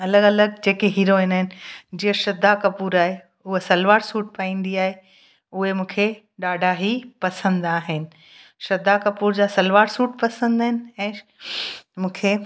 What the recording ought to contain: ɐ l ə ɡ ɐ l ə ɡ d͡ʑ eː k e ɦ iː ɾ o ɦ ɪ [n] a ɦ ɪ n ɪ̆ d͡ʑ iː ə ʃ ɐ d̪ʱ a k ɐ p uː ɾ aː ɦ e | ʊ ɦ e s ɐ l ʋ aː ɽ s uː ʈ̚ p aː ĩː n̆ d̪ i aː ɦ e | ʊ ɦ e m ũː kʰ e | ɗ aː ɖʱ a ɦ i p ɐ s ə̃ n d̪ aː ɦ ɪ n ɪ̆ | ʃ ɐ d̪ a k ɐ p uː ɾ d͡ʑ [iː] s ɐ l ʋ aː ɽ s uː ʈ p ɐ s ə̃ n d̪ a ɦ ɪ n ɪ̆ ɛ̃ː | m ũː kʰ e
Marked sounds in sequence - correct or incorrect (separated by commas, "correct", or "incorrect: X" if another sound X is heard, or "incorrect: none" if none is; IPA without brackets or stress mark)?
correct, incorrect: aː